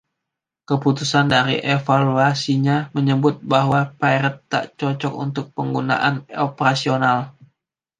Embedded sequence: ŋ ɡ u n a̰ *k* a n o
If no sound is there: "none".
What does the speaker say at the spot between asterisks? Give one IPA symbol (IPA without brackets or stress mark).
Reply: ʔ